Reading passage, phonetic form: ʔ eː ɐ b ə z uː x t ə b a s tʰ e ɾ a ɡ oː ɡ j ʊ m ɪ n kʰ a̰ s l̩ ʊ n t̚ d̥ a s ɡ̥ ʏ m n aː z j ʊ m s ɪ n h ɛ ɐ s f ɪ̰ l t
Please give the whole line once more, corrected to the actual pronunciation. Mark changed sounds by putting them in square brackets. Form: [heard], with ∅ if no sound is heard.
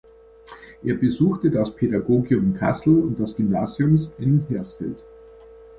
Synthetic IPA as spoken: ʔ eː ɐ b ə z uː x t ə [d] a s [pʰ] e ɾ a ɡ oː ɡ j ʊ m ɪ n kʰ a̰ s l̩ ʊ n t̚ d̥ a s ɡ̥ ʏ m n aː z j ʊ m s ɪ n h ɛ ɐ s f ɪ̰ l t

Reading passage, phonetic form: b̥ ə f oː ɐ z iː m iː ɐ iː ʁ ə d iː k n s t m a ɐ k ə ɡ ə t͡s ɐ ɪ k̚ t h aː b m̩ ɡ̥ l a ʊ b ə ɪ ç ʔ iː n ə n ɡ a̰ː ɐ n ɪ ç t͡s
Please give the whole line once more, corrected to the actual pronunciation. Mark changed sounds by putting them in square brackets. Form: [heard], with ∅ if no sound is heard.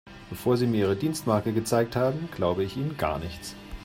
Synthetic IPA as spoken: b̥ ə f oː ɐ z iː m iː ɐ iː ʁ ə d iː [∅] n s t m a ɐ k ə ɡ ə t͡s [a] ɪ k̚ t h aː b m̩ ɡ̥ l a ʊ b ə ɪ ç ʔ iː n ə n ɡ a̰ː ɐ n ɪ ç t͡s

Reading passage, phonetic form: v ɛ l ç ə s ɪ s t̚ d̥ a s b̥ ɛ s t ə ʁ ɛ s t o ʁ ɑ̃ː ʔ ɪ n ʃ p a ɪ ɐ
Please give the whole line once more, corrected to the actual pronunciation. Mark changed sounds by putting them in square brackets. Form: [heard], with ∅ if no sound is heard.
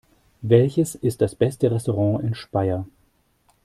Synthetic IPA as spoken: v ɛ l ç ə s ɪ s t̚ d̥ a s b̥ ɛ s t ə ʁ ɛ s t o ʁ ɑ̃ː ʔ ɪ n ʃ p a ɪ ɐ

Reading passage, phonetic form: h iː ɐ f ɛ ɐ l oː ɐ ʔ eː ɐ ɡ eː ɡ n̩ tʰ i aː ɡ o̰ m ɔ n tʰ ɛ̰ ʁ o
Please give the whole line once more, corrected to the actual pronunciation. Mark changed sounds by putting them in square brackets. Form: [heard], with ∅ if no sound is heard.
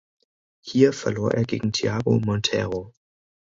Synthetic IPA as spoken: h iː ɐ f ɛ ɐ l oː ɐ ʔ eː ɐ ɡ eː ɡ [ŋ̩] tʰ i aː ɡ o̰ m ɔ n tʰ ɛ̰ ʁ o

